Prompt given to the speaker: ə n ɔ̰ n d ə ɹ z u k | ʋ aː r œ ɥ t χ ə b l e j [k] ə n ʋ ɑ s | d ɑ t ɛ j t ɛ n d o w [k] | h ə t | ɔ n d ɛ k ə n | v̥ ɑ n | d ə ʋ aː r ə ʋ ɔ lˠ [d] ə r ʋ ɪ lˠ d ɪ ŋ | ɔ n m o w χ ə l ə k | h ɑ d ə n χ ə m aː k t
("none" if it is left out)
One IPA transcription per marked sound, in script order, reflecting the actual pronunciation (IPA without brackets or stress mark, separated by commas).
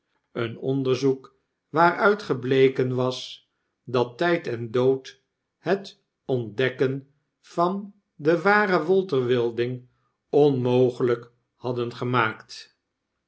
k, t, t